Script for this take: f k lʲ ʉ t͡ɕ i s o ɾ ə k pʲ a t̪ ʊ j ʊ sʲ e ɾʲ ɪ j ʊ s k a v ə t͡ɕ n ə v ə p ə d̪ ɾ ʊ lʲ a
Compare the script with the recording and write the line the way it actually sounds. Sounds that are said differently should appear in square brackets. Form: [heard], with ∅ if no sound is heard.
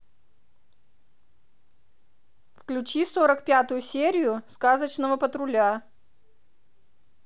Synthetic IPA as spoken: f k lʲ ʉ t͡ɕ i s o ɾ ə k pʲ a t̪ ʊ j ʊ sʲ e ɾʲ ɪ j ʊ s k a [z] ə t͡ɕ n ə v ə p ə [t̪] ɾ ʊ lʲ a

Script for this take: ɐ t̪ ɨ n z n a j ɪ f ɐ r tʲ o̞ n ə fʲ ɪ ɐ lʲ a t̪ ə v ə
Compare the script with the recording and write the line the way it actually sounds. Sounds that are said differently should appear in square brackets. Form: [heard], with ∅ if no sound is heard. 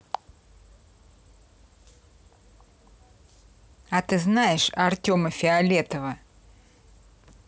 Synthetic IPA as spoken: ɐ t̪ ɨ [∅] z n a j ɪ [ʂ] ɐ r tʲ o̞ [m] ə fʲ ɪ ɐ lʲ [e] t̪ ə v ə

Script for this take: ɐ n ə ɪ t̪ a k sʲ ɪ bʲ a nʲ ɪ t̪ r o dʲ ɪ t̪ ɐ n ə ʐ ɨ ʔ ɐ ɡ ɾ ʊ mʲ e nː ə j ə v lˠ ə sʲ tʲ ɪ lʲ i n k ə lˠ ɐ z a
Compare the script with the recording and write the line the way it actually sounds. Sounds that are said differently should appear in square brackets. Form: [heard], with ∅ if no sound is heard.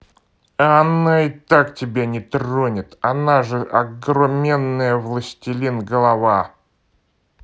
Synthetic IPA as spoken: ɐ n [a] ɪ t̪ a k [tʲ] ɪ bʲ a nʲ ɪ t̪ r o [nʲ] ɪ t̪ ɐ n [a] ʐ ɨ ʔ ɐ ɡ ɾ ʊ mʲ e nː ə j ə v lˠ ə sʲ tʲ ɪ lʲ i n [ɡ] ə lˠ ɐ [v] a

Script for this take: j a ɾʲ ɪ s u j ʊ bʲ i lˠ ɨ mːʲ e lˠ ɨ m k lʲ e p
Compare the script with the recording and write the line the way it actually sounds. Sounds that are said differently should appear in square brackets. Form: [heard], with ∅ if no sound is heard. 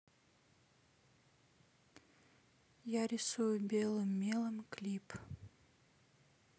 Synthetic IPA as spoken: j a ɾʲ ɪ s u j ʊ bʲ [e] lˠ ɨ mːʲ e lˠ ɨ m k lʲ [i] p

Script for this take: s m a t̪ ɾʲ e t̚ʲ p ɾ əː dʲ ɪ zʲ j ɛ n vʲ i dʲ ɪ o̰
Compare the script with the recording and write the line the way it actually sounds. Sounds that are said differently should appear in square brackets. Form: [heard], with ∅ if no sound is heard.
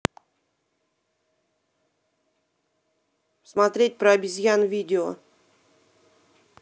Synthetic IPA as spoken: s m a t̪ ɾʲ e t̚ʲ p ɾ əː [bʲ] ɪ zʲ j [a] n vʲ i dʲ ɪ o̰

